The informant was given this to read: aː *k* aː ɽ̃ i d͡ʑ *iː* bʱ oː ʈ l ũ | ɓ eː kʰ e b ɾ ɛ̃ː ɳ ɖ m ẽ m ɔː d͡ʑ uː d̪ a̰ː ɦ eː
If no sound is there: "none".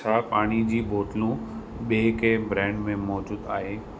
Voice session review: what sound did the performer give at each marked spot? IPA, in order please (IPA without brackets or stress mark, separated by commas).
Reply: p, iː